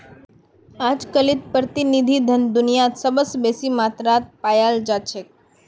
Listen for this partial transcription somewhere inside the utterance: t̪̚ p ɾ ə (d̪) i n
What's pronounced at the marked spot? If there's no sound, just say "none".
t̪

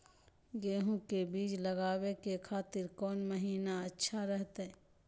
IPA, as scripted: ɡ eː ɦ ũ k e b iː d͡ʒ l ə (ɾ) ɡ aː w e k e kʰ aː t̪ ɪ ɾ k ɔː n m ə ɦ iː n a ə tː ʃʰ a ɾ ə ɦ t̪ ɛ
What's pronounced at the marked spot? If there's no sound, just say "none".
none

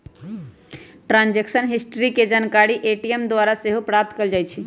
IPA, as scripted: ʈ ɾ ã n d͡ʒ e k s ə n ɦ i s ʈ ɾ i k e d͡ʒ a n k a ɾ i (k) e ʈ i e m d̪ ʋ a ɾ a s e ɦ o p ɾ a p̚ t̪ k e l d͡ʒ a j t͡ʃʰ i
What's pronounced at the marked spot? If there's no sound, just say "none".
ʔ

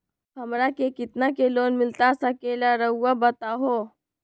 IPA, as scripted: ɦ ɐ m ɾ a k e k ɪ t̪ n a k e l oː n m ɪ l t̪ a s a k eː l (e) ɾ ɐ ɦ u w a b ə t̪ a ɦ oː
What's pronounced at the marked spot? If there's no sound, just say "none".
a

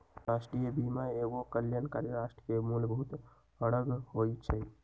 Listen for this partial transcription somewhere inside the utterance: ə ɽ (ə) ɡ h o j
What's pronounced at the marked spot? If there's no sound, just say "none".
ə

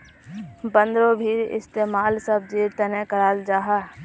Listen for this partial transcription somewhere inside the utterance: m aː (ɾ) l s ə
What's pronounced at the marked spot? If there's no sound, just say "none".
none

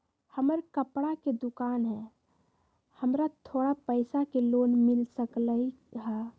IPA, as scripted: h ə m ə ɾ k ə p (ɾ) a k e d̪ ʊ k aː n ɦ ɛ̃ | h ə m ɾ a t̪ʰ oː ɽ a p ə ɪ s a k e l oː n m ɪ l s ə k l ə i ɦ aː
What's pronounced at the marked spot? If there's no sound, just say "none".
ɽ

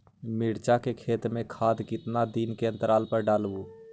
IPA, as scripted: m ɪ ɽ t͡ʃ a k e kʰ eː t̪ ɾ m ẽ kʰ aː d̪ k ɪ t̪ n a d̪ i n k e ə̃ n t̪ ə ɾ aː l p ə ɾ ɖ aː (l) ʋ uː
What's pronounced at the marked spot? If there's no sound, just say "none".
l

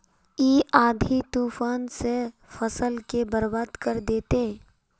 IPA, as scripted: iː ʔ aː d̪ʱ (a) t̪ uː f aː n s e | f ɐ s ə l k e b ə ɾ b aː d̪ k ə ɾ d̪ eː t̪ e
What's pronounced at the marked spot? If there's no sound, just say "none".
i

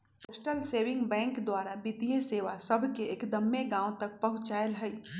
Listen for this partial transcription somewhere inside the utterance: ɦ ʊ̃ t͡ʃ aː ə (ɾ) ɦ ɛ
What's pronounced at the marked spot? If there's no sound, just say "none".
l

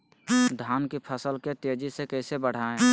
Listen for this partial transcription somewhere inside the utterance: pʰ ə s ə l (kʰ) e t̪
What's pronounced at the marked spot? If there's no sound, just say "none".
k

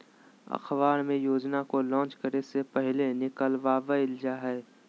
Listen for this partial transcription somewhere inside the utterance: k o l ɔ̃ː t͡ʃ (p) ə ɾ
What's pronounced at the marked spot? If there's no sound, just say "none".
k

